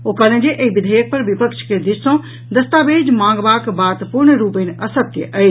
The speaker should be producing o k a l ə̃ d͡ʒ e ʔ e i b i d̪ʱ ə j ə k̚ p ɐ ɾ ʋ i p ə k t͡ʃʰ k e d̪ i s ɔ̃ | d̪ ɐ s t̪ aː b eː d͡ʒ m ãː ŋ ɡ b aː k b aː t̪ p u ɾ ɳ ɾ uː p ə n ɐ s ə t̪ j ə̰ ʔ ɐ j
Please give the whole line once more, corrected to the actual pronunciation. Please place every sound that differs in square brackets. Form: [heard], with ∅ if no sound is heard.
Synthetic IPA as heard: o k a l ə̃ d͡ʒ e ʔ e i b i d̪ʱ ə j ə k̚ p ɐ ɾ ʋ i p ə k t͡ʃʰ k e d̪ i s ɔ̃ | d̪ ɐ s t̪ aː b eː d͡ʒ m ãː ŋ ɡ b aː k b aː t̪ p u ɾ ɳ ɾ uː p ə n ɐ s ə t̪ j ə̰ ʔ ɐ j